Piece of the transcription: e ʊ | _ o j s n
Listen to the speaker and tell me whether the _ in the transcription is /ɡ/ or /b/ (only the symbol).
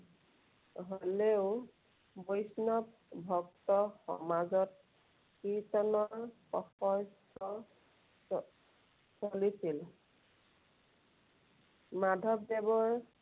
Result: b